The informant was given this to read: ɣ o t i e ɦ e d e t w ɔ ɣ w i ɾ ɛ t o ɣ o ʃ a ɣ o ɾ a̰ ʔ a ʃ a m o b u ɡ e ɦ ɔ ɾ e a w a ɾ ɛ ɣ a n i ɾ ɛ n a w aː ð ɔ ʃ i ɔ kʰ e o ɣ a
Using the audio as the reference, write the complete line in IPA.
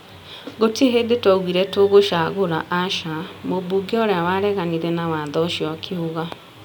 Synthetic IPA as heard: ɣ o t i e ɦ e d e t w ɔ ɣ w i ɾ ɛ t o ɣ o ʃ a ɣ o ɾ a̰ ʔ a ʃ a m o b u ɡ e ɔ ɾ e a w a ɾ ɛ ɣ a n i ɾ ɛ n a w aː ð ɔ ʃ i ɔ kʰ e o ɣ a